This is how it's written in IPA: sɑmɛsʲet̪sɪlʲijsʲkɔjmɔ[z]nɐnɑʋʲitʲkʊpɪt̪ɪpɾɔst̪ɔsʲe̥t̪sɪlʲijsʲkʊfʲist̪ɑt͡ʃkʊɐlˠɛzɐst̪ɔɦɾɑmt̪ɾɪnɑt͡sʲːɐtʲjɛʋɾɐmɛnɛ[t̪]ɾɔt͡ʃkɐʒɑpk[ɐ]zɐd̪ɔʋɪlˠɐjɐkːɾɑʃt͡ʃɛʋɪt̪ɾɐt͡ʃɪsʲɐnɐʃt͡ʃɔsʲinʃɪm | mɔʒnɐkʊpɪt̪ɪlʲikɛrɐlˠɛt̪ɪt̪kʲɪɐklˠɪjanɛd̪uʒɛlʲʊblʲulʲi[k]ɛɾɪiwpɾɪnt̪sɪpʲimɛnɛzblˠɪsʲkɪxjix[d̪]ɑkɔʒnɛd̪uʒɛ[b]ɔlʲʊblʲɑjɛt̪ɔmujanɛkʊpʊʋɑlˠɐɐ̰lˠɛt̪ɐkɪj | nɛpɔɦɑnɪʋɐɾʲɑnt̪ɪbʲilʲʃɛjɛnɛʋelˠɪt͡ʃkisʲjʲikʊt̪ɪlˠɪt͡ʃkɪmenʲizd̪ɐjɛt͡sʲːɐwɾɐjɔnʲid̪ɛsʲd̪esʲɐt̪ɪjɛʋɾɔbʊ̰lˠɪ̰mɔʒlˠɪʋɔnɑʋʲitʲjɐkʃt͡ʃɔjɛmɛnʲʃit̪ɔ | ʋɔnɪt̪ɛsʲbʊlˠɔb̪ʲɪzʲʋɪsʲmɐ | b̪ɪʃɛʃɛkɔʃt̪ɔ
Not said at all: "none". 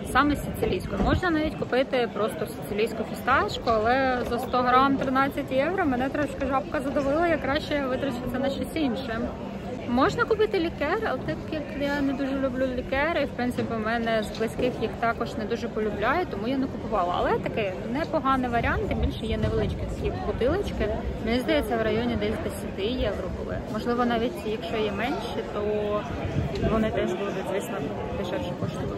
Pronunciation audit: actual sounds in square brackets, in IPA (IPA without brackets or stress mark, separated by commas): ʒ, t̪, ɐ, k, t̪, p